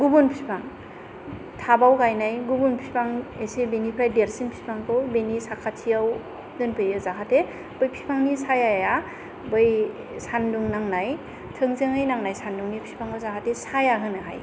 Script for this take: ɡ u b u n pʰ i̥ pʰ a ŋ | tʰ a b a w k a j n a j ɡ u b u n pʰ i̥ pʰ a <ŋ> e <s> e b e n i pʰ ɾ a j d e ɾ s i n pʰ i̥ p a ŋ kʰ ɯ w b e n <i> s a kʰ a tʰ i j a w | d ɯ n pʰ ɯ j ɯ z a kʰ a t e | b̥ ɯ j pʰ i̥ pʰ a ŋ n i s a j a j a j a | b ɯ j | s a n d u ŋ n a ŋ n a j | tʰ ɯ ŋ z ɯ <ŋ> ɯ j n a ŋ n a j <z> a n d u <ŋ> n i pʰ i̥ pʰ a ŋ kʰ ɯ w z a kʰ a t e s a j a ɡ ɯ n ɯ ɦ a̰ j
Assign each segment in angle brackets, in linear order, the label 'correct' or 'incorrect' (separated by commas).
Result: correct, correct, correct, correct, incorrect, correct